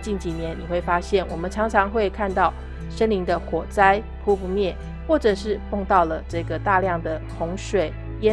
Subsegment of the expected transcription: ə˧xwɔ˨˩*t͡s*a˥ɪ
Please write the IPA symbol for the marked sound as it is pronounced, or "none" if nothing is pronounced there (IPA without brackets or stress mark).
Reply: t͡s